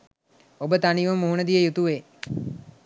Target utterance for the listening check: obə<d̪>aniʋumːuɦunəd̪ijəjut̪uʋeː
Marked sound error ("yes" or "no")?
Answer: yes